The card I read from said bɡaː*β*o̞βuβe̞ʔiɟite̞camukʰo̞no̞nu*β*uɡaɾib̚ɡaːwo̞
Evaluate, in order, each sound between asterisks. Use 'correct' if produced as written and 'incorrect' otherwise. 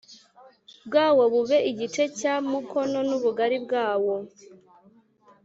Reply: incorrect, correct

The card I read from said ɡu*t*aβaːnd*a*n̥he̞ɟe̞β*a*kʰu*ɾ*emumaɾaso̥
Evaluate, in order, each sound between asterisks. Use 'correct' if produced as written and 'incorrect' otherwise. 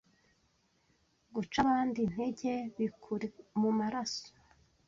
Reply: incorrect, incorrect, incorrect, correct

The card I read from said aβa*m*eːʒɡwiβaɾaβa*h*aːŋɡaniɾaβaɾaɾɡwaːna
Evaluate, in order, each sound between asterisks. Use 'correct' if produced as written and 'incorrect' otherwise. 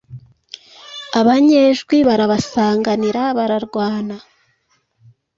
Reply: incorrect, incorrect

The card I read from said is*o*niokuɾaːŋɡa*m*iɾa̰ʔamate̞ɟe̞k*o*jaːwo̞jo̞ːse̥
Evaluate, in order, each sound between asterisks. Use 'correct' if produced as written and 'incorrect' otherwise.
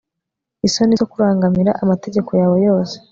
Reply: correct, correct, correct

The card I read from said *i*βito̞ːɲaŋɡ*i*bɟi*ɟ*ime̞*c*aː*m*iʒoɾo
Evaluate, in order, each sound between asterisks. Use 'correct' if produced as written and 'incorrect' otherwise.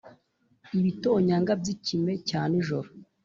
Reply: correct, incorrect, incorrect, correct, incorrect

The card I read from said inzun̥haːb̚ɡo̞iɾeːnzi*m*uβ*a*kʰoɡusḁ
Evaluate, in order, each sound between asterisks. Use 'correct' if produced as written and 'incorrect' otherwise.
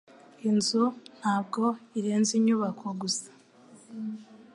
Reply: incorrect, correct

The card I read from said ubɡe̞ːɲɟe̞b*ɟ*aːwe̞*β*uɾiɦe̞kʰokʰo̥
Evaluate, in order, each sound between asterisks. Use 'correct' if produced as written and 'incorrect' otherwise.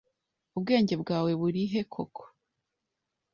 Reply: incorrect, correct

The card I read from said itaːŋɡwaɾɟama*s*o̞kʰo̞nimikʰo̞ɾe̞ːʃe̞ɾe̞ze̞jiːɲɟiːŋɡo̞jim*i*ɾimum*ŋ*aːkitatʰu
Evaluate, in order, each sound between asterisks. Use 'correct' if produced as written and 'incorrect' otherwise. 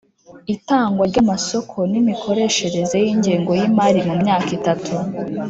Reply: correct, incorrect, incorrect

